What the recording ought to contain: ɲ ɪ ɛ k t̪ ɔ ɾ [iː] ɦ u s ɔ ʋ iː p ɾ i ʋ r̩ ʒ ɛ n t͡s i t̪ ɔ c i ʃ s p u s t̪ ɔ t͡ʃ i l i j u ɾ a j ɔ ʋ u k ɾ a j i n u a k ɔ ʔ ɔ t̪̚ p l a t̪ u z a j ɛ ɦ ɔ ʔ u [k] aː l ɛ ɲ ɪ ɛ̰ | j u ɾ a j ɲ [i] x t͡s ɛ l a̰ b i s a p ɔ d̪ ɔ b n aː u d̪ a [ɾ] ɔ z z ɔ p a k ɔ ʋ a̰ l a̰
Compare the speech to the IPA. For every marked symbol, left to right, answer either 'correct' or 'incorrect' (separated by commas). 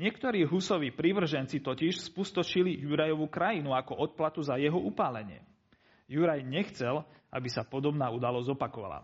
correct, incorrect, incorrect, incorrect